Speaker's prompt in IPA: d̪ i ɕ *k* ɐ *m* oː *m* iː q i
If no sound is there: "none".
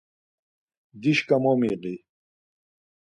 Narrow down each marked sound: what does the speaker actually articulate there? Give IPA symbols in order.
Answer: k, m, m

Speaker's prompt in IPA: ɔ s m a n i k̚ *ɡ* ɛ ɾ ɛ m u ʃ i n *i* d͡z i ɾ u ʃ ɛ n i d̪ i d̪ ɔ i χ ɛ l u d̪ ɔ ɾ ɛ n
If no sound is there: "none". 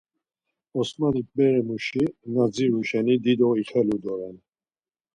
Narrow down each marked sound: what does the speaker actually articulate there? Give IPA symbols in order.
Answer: b, a

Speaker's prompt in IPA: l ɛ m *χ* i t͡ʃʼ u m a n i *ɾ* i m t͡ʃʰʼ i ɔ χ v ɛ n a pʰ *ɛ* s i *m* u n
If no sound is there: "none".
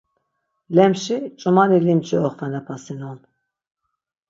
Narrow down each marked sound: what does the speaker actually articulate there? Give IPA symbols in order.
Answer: ʃ, l, a, n

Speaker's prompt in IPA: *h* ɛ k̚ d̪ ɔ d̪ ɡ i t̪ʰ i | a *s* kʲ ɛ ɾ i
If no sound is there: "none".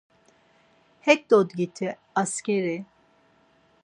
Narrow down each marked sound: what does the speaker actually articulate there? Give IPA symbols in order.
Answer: h, s

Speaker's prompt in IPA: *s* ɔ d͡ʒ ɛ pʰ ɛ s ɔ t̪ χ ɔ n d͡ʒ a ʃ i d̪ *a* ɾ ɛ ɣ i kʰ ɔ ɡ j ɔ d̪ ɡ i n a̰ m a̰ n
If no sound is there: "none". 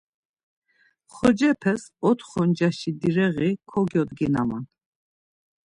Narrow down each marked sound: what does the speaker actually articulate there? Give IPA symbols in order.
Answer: χ, i

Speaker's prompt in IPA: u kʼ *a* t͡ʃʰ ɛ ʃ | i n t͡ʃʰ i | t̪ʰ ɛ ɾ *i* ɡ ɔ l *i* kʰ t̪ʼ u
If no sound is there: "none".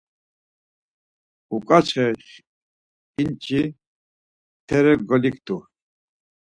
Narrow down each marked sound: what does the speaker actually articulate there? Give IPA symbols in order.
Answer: a, ɛ, i

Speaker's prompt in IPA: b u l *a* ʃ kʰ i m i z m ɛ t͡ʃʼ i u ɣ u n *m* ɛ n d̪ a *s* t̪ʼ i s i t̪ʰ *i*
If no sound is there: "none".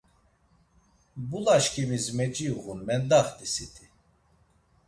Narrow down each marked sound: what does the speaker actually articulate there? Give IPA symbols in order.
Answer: a, m, χ, i

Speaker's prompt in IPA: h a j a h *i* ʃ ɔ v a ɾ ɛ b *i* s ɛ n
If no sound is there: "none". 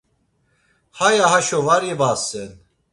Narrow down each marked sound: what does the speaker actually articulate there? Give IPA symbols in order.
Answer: a, a

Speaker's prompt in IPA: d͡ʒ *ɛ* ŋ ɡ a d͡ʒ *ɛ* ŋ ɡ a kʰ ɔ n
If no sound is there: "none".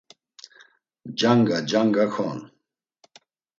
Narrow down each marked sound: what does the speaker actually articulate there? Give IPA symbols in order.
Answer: a, a

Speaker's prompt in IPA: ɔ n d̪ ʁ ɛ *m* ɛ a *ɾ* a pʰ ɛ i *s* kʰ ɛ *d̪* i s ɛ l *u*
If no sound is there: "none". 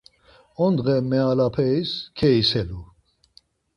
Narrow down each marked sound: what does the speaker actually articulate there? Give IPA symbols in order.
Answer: m, l, s, none, u

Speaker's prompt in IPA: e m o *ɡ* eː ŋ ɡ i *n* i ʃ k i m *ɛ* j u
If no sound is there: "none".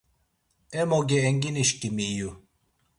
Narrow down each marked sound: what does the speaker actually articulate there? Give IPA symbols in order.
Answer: ɡ, n, i

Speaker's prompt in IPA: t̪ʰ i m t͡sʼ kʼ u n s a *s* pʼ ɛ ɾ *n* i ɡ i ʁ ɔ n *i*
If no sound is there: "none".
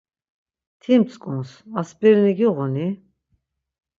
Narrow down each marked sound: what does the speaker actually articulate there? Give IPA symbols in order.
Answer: s, n, i

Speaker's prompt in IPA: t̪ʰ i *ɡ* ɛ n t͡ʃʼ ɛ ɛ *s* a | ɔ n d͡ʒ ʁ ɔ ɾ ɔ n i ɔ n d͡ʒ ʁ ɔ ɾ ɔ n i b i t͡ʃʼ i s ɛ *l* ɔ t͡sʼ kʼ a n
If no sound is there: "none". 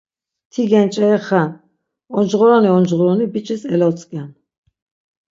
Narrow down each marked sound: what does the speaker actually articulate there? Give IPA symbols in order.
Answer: ɡ, χ, l

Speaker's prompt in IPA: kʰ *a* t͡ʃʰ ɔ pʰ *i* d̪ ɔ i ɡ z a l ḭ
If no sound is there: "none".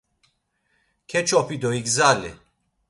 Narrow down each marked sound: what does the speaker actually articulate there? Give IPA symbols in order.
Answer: ɛ, i

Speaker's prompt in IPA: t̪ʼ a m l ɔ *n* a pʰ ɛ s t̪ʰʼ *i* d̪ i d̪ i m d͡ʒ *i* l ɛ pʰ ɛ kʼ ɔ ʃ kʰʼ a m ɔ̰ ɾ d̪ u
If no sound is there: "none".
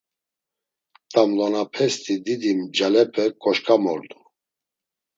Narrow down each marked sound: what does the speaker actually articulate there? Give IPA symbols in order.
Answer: n, i, a

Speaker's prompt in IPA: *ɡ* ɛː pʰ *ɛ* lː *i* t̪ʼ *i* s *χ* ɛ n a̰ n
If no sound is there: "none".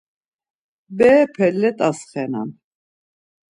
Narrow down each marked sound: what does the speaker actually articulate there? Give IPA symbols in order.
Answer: b, ɛ, ɛ, a, χ

